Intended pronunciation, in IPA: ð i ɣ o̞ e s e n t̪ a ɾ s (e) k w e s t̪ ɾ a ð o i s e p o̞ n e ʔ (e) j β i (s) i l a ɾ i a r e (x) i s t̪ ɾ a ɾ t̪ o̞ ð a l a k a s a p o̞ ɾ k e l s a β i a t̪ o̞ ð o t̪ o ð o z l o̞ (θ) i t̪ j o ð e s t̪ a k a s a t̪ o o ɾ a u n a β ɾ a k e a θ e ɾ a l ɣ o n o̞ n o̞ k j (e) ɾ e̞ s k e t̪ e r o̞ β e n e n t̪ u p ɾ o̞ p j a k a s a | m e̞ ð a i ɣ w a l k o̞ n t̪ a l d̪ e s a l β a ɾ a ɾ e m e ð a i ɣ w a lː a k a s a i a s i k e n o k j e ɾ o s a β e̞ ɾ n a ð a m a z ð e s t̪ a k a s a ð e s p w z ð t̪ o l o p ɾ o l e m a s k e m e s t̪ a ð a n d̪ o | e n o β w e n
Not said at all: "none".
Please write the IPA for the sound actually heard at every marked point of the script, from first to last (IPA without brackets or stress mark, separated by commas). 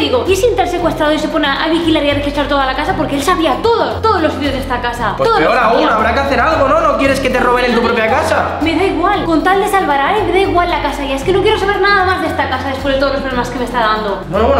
e, a, x, x, s, e